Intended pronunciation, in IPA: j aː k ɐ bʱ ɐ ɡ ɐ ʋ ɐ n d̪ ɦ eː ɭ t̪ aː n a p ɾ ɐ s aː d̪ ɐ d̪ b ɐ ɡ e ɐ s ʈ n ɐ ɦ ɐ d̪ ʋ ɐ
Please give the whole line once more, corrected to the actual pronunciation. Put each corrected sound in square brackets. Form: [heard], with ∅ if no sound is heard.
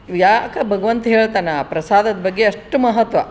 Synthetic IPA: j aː k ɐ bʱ ɐ ɡ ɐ ʋ ɐ n [t̪] ɦ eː ɭ t̪ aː n a p ɾ ɐ s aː d̪ ɐ d̪ b ɐ [ɡː] e ɐ [ʂ] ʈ [m] ɐ ɦ ɐ [t̪] ʋ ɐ

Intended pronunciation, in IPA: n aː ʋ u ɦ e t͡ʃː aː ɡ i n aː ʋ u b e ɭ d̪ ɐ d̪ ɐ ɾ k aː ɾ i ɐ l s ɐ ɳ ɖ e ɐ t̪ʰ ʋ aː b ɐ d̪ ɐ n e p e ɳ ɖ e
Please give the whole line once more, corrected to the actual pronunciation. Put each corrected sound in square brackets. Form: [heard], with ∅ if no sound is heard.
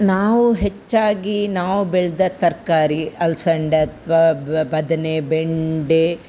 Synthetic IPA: n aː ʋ u ɦ e t͡ʃː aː ɡ i n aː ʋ u b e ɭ d̪ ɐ [t̪] ɐ ɾ k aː ɾ i ɐ l s ɐ ɳ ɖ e ɐ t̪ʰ ʋ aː b ɐ d̪ ɐ n e [b] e ɳ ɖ e

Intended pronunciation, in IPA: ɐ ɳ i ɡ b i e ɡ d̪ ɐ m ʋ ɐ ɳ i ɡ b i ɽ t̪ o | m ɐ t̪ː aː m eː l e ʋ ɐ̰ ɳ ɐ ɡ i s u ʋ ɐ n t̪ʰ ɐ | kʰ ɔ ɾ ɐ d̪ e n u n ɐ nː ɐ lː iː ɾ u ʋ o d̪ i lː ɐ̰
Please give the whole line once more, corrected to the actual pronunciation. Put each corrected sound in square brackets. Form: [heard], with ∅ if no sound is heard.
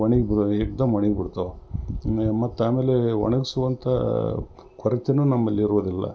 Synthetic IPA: ɐ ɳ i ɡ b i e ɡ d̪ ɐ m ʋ ɐ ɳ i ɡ b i ɽ t̪ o | m ɐ t̪ː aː m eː l e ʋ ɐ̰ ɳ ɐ ɡ i s u ʋ ɐ n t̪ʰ ɐ | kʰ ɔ ɾ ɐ [t̪] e n u n ɐ [mː] ɐ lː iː ɾ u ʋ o d̪ i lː ɐ̰

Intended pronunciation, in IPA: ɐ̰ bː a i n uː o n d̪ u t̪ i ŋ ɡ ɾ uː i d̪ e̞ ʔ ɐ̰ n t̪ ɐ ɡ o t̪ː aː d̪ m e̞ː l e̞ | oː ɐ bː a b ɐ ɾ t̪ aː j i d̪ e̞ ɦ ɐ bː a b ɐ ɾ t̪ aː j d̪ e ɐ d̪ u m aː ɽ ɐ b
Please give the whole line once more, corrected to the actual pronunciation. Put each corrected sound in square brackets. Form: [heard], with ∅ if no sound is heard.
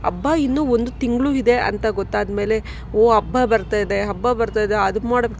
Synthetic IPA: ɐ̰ bː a i [nː] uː o n d̪ u t̪ i ŋ ɡ [ɭ] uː i d̪ e̞ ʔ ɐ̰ n t̪ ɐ ɡ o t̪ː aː d̪ m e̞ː l e̞ | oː ɐ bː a b ɐ ɾ t̪ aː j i d̪ e̞ ɦ ɐ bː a b ɐ ɾ t̪ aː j d̪ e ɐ d̪ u m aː ɽ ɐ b

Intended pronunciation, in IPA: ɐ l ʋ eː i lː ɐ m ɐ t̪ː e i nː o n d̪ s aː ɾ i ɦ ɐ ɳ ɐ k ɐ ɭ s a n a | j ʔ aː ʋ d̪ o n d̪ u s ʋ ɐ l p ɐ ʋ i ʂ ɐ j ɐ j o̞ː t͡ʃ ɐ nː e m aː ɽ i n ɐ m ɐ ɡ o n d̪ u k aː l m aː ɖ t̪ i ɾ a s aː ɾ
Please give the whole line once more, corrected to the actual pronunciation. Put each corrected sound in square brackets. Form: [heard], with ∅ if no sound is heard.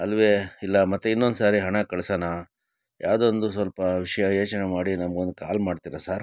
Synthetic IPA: ɐ l ʋ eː i lː ɐ m ɐ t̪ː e i nː o n d̪ s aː ɾ i ɦ ɐ ɳ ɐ k ɐ ɭ s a n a | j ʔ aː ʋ d̪ o n d̪ u s ʋ ɐ l p ɐ ʋ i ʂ ɐ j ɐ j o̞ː t͡ʃ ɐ [n] e m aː ɽ i n ɐ m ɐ ɡ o n d̪ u k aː l m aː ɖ t̪ i ɾ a s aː ɾ

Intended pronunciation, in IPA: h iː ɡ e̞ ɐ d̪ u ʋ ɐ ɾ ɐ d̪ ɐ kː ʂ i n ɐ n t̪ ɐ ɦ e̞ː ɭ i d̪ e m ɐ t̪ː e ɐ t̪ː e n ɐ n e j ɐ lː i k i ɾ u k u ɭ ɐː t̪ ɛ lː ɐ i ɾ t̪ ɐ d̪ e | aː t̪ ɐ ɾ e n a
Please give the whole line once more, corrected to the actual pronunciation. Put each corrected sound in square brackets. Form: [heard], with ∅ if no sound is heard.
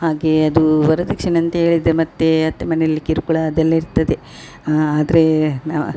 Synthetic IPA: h [aː] ɡ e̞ ɐ d̪ u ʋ ɐ ɾ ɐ d̪ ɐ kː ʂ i n ɐ n t̪ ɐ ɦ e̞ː ɭ i d̪ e m ɐ t̪ː e ɐ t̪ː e [m] ɐ n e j ɐ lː i k i ɾ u k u ɭ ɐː [d̪] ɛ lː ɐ i ɾ t̪ ɐ d̪ e | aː [d̪] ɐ ɾ e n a

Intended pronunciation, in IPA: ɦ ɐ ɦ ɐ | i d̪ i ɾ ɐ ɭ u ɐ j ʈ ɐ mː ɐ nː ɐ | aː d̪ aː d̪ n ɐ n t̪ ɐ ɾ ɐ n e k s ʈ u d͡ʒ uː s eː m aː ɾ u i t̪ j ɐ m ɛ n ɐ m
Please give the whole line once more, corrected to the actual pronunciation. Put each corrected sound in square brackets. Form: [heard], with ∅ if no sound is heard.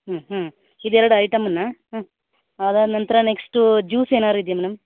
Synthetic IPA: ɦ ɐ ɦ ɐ | i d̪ [ɛ] ɾ ɐ [ɽ] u ɐ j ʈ ɐ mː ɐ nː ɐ | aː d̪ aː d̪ n ɐ n t̪ ɐ ɾ ɐ n e k s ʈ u d͡ʒ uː s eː [n] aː ɾ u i [d̪] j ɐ m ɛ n ɐ m

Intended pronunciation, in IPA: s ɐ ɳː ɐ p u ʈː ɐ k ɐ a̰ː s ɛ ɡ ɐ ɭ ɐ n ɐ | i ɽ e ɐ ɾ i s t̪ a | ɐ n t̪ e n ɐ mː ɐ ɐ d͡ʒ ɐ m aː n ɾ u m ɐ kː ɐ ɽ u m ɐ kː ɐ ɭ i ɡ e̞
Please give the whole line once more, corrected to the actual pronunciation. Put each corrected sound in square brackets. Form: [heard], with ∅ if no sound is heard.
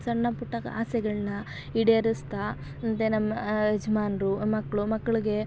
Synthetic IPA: s ɐ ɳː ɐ p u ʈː ɐ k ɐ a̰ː s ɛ ɡ ɐ ɭ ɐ n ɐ | i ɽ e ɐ ɾ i s t̪ a | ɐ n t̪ e n ɐ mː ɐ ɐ d͡ʒ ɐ m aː n ɾ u m ɐ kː ɐ [ɭ] u m ɐ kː ɐ ɭ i ɡ e̞

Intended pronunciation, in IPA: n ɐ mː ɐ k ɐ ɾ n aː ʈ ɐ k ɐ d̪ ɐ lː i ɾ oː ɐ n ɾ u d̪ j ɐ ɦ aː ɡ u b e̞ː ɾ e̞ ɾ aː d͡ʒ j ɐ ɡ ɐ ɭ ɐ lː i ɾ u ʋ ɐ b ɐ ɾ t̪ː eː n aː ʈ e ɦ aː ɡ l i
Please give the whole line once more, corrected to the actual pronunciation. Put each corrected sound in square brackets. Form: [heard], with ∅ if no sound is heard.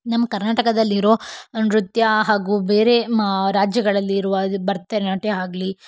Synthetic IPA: n ɐ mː ɐ k ɐ ɾ n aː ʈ ɐ k ɐ d̪ ɐ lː i ɾ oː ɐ n ɾ u [t̪] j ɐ ɦ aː ɡ u b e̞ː ɾ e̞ ɾ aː d͡ʒ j ɐ ɡ ɐ ɭ ɐ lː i ɾ u ʋ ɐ b ɐ ɾ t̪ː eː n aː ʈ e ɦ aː ɡ l i

